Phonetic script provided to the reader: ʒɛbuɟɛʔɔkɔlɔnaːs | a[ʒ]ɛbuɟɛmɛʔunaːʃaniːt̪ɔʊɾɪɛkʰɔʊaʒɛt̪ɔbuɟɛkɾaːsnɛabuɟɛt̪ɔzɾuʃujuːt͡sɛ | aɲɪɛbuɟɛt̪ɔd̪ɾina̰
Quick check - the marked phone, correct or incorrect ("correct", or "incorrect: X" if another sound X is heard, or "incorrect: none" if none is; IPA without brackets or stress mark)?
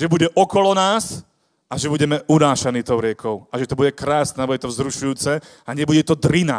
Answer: correct